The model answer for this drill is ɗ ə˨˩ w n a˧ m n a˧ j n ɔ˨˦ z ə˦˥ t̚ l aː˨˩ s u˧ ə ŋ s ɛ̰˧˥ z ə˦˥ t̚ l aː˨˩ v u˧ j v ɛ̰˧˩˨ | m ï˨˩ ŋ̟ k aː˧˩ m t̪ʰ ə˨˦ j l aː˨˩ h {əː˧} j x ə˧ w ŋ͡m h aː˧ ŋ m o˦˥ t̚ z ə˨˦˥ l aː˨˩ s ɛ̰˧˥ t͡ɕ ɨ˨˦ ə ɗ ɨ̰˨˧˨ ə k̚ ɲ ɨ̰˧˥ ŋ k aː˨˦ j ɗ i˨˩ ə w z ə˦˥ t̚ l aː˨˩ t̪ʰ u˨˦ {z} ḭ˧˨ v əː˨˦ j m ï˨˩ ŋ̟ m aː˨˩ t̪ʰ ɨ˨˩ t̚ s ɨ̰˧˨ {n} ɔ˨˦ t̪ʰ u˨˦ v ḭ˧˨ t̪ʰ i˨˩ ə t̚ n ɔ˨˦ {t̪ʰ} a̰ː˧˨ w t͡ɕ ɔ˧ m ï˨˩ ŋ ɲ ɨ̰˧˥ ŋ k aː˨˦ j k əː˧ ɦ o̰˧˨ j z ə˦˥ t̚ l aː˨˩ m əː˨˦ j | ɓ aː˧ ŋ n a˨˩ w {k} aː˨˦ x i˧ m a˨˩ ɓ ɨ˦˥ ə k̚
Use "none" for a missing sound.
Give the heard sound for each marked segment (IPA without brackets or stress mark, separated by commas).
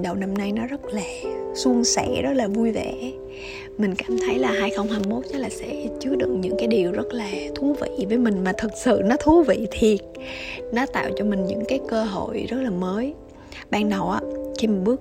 aː˧, v, n, t̪, ʔ